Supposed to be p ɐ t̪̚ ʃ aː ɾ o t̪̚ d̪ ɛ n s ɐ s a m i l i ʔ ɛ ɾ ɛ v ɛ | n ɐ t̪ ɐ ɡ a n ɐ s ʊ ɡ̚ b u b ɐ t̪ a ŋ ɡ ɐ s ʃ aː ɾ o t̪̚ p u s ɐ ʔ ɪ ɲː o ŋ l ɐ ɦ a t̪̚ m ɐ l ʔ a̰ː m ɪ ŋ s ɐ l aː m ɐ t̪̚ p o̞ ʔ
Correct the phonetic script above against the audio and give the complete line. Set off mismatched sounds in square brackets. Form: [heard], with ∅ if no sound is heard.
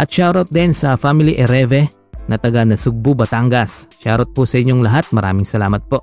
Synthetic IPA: [ʔ] ɐ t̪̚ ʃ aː ɾ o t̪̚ d̪ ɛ n s ɐ [f] a m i l i ʔ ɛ ɾ ɛ v ɛ | n ɐ t̪ ɐ ɡ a n ɐ s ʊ ɡ̚ b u b ɐ t̪ a ŋ ɡ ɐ s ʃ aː ɾ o t̪̚ p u s ɐ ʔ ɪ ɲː o ŋ l ɐ ɦ a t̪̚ m ɐ [ɾ] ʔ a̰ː m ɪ ŋ s ɐ l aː m ɐ t̪̚ p o̞ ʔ